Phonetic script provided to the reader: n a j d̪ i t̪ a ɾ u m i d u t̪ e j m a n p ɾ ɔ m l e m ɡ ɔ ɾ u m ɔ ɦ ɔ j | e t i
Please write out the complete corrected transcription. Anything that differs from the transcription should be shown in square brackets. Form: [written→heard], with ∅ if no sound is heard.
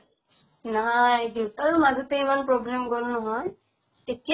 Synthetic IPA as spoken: n a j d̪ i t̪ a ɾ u m [i→a] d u t̪ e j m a n p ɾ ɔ [m→b] l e m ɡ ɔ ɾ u [m→n] ɔ ɦ ɔ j | e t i